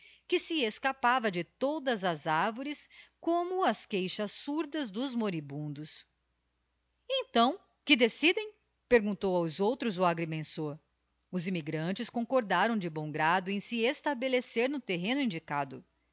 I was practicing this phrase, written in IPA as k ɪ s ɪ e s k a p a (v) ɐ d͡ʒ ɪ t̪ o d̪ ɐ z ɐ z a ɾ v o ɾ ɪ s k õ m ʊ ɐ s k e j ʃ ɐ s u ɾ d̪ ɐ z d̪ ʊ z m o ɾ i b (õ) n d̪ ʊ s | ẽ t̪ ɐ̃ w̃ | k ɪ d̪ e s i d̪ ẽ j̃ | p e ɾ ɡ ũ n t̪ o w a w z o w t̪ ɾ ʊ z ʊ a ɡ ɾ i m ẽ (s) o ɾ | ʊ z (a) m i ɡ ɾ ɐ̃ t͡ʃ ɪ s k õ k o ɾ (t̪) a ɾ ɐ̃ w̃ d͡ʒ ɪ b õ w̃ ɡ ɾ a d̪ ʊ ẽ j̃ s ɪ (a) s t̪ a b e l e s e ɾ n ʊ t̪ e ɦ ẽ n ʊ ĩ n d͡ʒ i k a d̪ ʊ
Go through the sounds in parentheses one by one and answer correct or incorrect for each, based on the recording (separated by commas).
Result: correct, incorrect, correct, incorrect, incorrect, incorrect